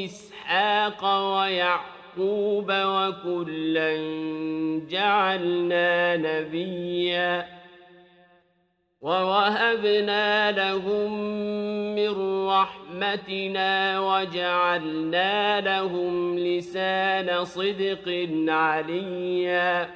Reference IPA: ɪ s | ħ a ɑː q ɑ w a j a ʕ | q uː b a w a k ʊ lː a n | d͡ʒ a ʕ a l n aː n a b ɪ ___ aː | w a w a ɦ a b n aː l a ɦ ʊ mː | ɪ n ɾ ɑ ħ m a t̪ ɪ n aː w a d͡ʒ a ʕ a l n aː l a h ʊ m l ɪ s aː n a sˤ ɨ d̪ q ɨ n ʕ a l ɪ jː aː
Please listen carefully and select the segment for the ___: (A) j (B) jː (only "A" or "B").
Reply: B